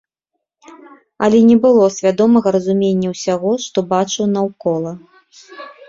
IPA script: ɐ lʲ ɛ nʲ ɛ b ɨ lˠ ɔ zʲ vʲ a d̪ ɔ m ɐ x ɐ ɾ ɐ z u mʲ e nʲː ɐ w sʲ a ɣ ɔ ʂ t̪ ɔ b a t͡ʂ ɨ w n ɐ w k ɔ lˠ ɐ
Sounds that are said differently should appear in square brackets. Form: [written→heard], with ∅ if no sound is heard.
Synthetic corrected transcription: ɐ lʲ ɛ nʲ ɛ b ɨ lˠ ɔ [zʲ→sʲ] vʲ a d̪ ɔ m ɐ [x→ɣ] ɐ ɾ ɐ z u mʲ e nʲː ɐ w sʲ a ɣ ɔ ʂ t̪ ɔ b a t͡ʂ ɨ w n ɐ w k ɔ lˠ ɐ